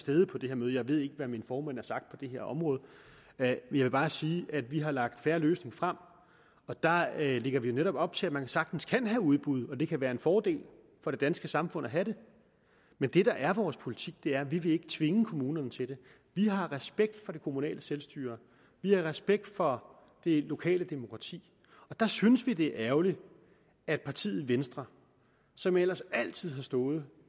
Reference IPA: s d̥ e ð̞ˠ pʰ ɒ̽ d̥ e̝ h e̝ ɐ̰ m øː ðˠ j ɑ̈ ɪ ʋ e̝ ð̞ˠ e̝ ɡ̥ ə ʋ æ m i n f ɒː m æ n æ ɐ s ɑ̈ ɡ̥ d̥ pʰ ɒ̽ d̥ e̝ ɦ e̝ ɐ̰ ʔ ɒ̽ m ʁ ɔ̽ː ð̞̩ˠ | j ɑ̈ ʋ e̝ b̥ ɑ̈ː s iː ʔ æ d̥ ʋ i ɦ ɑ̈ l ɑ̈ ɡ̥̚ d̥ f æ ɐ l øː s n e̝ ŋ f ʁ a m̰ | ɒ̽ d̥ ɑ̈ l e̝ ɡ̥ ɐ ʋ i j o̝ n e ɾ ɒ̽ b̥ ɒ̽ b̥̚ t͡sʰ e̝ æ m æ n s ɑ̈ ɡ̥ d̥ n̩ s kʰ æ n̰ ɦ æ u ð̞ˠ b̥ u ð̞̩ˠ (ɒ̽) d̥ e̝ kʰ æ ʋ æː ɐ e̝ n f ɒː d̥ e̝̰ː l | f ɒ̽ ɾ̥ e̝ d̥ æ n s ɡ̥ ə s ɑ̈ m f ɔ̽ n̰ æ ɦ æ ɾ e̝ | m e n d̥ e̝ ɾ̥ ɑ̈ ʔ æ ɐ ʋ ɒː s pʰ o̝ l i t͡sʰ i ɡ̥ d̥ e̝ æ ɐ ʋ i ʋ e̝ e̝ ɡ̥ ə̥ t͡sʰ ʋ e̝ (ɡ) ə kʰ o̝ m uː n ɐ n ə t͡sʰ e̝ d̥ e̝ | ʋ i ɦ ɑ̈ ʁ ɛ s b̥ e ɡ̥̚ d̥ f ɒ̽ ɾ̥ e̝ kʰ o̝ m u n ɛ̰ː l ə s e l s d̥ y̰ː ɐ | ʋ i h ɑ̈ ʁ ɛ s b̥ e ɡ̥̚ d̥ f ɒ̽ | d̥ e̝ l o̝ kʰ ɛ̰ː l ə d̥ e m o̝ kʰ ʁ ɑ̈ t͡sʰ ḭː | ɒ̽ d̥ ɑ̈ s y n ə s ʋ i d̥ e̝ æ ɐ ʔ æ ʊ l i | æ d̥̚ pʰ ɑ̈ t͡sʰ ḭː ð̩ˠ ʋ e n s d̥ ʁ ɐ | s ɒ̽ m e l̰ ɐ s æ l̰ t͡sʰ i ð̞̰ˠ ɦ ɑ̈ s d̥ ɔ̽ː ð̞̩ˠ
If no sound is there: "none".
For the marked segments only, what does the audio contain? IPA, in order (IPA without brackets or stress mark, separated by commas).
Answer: ɒ̽, ŋ